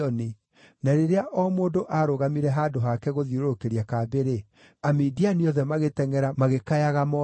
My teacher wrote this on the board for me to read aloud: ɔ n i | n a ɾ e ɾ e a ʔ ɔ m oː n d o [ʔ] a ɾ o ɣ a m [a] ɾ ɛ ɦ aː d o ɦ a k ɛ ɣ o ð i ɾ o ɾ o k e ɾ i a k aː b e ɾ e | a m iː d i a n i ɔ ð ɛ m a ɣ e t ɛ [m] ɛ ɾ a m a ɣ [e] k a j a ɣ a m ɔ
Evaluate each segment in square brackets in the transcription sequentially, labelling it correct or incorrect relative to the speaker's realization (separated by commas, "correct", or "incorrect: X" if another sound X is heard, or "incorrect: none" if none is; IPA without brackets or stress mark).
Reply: correct, incorrect: i, incorrect: ŋ, correct